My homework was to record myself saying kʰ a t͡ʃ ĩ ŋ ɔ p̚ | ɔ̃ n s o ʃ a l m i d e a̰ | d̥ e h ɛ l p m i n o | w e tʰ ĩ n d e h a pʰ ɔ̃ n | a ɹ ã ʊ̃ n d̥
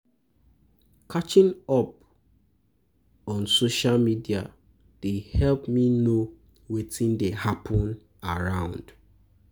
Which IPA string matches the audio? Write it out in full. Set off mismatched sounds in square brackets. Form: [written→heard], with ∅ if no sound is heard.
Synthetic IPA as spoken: kʰ a t͡ʃ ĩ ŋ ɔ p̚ | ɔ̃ n s o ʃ a l m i d [e→i] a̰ | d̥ e h ɛ l p m i n o | w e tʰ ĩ n d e h a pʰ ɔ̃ n | a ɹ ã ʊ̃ n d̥